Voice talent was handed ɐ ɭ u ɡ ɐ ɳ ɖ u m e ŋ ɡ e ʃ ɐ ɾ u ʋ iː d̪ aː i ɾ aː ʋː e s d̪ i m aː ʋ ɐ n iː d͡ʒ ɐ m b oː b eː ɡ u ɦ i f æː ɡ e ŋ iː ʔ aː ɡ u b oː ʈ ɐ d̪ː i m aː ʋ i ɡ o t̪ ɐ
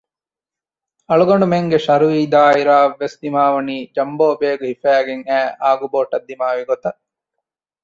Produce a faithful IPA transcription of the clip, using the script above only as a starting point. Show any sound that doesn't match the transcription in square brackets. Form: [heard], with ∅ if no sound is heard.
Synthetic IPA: ɐ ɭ u ɡ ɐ ɳ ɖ u m e ŋ ɡ e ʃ ɐ ɾ u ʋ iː d̪ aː i ɾ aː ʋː e s d̪ i m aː ʋ ɐ n iː d͡ʒ ɐ m b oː b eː ɡ u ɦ i f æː ɡ e ŋ [æː] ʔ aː ɡ u b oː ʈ ɐ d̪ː i m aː ʋ i ɡ o t̪ ɐ